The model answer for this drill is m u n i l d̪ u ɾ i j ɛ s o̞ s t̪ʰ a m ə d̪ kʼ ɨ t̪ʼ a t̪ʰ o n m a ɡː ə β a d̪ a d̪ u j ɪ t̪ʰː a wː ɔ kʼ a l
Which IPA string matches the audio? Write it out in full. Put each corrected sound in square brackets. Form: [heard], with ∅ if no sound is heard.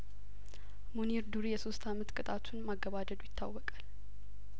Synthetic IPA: m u n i [ɾ] d̪ u ɾ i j ɛ s o̞ s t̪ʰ a m ə [t̪] kʼ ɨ t̪ʼ a t̪ʰ [u] n m a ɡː ə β a d̪ [ə] d̪ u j ɪ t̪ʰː a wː ɔ kʼ a l